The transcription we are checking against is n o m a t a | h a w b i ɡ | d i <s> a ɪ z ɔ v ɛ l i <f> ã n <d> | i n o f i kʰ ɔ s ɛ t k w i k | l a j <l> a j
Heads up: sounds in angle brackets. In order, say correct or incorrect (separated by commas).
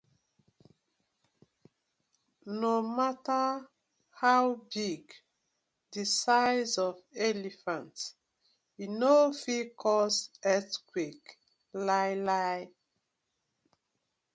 correct, correct, incorrect, correct